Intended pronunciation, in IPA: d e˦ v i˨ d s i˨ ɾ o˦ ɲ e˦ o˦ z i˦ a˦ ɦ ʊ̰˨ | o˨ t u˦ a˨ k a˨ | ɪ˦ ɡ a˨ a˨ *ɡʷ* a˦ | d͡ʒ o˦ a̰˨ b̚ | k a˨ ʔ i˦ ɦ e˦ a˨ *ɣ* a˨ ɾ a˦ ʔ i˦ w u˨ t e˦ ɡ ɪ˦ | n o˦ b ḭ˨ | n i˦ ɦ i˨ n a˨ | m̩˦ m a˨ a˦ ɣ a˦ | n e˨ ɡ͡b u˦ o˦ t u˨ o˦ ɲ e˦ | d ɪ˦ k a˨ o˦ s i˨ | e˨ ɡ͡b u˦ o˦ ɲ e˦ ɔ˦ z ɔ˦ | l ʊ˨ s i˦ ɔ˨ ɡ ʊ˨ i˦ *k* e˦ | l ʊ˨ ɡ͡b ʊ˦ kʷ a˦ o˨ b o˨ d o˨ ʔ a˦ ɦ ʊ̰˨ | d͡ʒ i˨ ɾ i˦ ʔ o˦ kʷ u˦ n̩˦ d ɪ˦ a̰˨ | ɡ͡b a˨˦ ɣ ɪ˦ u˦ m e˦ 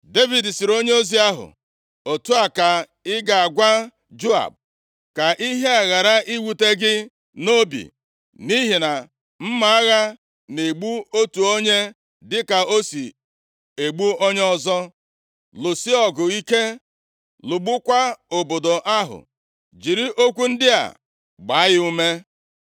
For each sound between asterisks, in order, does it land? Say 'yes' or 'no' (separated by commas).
yes, yes, yes